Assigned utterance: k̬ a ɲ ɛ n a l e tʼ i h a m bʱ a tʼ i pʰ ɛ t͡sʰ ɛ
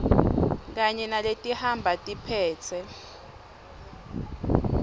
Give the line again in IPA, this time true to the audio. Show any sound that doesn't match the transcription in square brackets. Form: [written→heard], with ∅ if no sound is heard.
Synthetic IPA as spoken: k̬ a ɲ ɛ n a l e tʼ i h a m bʱ a tʼ i pʰ [ɛ→ɛː] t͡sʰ ɛ

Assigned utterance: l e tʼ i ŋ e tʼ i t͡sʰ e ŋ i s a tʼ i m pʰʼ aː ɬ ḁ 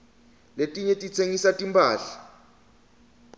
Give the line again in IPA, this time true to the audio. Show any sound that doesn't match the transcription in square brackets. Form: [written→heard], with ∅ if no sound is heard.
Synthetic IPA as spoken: l e tʼ i [ŋ→ɲ] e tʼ i t͡sʰ e ŋ i s a tʼ i m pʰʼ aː ɬ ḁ

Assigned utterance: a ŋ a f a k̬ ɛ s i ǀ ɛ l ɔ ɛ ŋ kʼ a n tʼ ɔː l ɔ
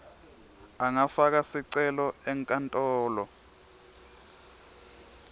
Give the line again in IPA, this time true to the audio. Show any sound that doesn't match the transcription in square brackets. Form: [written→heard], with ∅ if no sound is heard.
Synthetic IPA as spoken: a ŋ a f a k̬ [ɛ→a] s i ǀ ɛ l ɔ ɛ ŋ kʼ a n tʼ ɔː l ɔ

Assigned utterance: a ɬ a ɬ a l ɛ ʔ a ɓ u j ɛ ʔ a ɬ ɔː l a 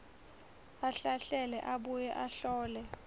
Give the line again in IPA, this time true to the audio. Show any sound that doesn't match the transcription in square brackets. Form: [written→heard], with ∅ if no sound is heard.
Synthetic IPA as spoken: a ɬ a ɬ [a→ɛ] l ɛ ʔ a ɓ u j ɛ ʔ a ɬ ɔː l [a→ɛ]

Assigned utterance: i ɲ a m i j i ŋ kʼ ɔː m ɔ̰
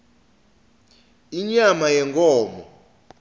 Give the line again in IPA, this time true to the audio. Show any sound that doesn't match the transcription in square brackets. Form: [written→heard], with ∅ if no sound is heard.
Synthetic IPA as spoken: i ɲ a m [i→a] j [i→ɛ] ŋ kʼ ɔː m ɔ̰

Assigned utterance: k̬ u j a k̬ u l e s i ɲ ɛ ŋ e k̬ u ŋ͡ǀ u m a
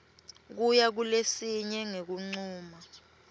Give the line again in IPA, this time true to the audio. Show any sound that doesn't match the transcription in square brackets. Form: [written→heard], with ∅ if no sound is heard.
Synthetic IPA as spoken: k̬ u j a k̬ u l e s i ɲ ɛ ŋ e k̬ u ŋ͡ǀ [u→uː] m a

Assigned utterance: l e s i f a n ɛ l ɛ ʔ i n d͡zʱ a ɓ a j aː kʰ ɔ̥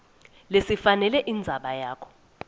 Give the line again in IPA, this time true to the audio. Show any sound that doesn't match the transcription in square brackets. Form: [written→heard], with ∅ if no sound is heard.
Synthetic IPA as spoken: l e s i f a n ɛ l ɛ ʔ i n d͡zʱ a ɓ a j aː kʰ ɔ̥

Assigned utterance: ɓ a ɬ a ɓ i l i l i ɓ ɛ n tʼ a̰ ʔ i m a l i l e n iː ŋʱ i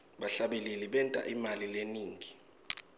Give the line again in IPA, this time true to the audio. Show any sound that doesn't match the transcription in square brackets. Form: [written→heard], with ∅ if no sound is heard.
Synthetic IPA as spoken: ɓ a ɬ a ɓ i l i l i ɓ ɛ n tʼ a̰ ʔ i m a l i l e n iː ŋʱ i

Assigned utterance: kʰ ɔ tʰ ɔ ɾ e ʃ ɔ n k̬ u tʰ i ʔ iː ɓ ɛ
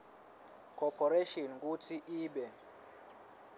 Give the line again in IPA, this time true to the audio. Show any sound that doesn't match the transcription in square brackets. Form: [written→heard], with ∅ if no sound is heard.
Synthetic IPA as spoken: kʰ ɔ [tʰ→pʰ] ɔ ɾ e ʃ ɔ n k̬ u tʰ i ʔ iː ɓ ɛ

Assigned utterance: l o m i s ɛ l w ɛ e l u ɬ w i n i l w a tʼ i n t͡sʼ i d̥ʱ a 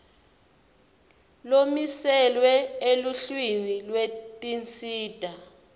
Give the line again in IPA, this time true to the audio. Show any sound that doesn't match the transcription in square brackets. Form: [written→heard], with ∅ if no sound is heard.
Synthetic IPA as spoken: l o m i s ɛ l w ɛ e l u ɬ w i n i l w [a→e] tʼ i n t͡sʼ [i→iː] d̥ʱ a

